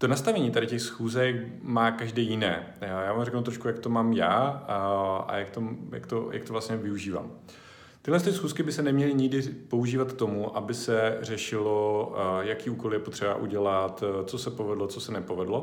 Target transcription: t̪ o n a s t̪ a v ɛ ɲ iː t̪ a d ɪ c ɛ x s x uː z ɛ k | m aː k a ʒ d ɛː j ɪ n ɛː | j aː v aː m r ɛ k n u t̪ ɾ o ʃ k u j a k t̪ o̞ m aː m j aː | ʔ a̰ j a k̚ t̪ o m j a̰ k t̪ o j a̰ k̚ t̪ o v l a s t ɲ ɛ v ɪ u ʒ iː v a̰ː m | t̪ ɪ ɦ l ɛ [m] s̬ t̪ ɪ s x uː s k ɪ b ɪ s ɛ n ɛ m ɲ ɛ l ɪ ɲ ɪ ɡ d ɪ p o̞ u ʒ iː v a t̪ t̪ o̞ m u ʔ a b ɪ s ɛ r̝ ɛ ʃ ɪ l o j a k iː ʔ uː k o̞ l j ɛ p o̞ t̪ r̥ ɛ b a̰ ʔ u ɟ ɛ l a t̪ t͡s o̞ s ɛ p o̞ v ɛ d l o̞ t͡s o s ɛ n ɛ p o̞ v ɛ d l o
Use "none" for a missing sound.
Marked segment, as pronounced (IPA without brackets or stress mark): n